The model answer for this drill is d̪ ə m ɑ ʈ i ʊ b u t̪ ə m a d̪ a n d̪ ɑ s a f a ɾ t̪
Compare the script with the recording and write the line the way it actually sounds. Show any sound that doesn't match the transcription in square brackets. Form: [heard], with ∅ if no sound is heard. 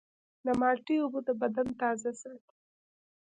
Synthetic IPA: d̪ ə m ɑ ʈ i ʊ b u [d̪] ə [b] a d̪ a n [t̪] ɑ [z] a [s] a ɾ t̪